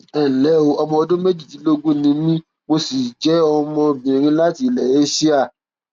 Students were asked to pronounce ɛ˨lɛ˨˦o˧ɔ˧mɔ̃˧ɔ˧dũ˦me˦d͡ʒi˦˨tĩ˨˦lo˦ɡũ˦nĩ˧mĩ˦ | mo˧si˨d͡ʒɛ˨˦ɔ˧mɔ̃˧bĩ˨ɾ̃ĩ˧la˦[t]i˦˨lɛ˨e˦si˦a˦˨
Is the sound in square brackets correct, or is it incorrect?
correct